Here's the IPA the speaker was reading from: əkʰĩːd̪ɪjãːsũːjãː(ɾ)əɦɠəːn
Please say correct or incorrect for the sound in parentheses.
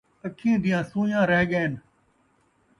correct